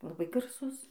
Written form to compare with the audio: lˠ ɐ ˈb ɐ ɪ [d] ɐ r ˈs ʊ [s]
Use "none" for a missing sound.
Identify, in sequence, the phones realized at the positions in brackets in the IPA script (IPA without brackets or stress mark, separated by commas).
ɡ, s